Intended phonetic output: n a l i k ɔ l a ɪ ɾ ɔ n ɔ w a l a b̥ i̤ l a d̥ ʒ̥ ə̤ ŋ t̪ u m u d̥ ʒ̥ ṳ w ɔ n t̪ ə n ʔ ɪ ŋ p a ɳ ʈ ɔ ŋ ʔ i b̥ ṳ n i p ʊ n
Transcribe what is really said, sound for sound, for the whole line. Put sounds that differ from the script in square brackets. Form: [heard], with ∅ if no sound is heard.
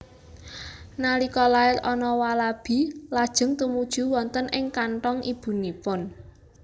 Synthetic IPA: n a l i k ɔ l a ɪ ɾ ɔ n ɔ w a l a b̥ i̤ l a d̥ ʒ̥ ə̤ ŋ t̪ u m u d̥ ʒ̥ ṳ w ɔ n t̪ ə n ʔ ɪ ŋ [k] a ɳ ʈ ɔ ŋ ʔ i b̥ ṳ n i p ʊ n